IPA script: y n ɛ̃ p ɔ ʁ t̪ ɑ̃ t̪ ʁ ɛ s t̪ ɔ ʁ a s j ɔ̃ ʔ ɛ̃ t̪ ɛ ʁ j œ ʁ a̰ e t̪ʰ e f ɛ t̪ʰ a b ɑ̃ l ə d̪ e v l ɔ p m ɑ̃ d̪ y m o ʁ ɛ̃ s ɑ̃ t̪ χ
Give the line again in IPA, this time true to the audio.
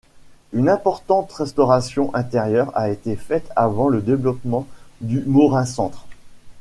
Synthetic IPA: y n ɛ̃ p ɔ ʁ t̪ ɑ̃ t̪ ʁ ɛ s t̪ ɔ ʁ a s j ɔ̃ ʔ ɛ̃ t̪ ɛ ʁ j œ ʁ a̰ e t̪ e f ɛ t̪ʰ a v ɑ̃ l ə d̪ e v l ɔ p m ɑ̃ d̪ y m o ʁ ɛ̃ s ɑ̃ t̪ χ

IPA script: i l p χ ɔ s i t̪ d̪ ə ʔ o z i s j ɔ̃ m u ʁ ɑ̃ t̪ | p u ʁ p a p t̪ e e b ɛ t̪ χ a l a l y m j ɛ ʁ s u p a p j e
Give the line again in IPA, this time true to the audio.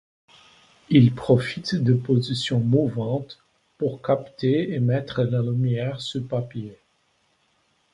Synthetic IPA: i l p χ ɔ f i t̪ d̪ ə p o z i s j ɔ̃ m u v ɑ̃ t̪ | p u ʁ k a p t̪ e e m ɛ t̪ χ ə l a l y m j ɛ ʁ s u p a p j e

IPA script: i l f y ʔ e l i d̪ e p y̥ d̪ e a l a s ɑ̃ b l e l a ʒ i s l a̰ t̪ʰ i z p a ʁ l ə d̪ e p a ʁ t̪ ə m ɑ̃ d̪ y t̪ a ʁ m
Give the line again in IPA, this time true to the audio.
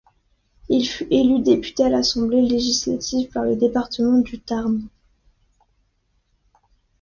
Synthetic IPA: i l f y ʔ e l y d̪ e p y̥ t̪ e a l a s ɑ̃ b l e l e ʒ i s l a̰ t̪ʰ i v p a ʁ l ə d̪ e p a ʁ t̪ ə m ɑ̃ d̪ y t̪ a ʁ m

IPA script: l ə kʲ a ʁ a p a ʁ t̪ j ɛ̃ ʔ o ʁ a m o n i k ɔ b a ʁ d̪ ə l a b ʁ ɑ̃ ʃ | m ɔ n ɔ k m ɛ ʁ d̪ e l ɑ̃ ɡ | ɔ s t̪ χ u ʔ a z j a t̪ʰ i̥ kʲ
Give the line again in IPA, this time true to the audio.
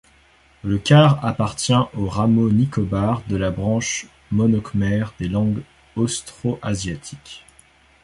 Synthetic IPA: l ə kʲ a ʁ a p a ʁ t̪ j ɛ̃ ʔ o ʁ a m o n i k ɔ b a ʁ d̪ ə l a b ʁ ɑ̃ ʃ | m ɔ n ɔ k m ɛ ʁ d̪ e l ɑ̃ ɡ | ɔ s t̪ χ o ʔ a z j a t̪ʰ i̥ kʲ

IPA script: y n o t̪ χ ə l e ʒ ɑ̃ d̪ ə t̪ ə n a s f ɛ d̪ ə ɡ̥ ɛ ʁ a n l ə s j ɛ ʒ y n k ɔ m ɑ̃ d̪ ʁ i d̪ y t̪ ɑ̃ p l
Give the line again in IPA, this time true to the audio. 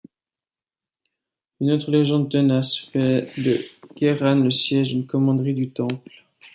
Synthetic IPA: y n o t̪ χ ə l e ʒ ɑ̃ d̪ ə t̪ ə n a s f ɛ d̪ ə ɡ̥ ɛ ʁ a n l ə s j ɛ ʒ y n k ɔ m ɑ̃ d̪ ʁ i d̪ y t̪ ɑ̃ p l

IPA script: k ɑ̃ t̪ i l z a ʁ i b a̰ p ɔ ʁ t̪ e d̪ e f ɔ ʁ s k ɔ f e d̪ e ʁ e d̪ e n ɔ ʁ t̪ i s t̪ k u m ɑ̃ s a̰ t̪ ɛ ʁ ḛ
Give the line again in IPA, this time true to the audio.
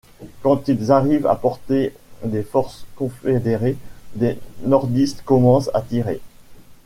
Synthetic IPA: k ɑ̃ t̪ i l z a ʁ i v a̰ p ɔ ʁ t̪ e d̪ e f ɔ ʁ s k ɔ̃ f e d̪ e ʁ e d̪ e n ɔ ʁ d̪ i s t̪ k ɔ m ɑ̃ s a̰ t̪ i ʁ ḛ

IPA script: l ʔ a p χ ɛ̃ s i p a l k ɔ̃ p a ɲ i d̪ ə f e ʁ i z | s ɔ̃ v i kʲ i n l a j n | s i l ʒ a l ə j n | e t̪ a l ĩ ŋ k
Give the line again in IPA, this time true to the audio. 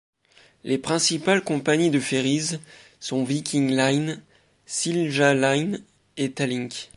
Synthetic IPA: l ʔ e p χ ɛ̃ s i p a l k ɔ̃ p a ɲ i d̪ ə f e ʁ i z | s ɔ̃ v i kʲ i ŋ l a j n | s i l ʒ a l a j n | e t̪ a l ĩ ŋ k

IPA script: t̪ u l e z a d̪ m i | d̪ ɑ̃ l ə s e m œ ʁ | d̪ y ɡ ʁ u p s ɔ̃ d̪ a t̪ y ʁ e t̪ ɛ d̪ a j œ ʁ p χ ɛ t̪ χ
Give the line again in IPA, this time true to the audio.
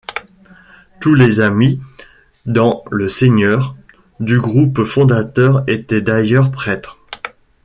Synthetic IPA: t̪ u l e z a m i | d̪ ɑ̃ l ə s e ɲ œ ʁ | d̪ y ɡ ʁ u p f ɔ̃ d̪ a t̪ œ ʁ e t̪ ɛ d̪ a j œ ʁ p χ ɛ t̪ χ

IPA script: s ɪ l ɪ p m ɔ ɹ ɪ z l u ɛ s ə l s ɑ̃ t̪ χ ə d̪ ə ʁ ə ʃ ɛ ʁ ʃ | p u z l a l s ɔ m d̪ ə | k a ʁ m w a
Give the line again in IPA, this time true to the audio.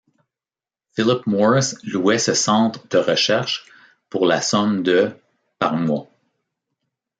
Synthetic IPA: f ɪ l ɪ p m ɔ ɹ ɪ s l u ɛ s ə s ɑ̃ t̪ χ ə d̪ ə ʁ ə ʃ ɛ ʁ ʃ | p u ʁ l a s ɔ m d̪ ə | p a ʁ m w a

